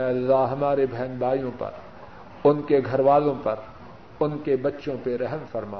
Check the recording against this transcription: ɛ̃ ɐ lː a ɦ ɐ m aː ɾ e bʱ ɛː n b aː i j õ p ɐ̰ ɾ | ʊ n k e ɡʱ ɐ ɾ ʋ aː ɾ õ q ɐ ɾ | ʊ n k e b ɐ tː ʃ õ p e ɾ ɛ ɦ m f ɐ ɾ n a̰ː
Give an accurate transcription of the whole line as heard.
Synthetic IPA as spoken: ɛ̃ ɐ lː a ɦ ɐ m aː ɾ e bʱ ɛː n b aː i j õ p ɐ̰ ɾ | ʊ n k e ɡʱ ɐ ɾ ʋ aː l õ p ɐ ɾ | ʊ n k e b ɐ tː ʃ õ p e ɾ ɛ ɦ m f ɐ ɾ m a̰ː